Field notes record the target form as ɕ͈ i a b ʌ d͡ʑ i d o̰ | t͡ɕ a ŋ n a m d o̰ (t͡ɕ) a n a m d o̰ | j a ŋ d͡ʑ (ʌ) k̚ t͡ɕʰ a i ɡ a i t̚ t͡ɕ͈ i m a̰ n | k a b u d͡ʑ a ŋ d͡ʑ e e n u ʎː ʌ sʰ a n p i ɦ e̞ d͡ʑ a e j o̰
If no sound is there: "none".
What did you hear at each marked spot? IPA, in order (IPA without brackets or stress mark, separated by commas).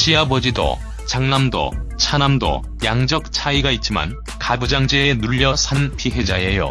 t͡ɕʰ, ʌ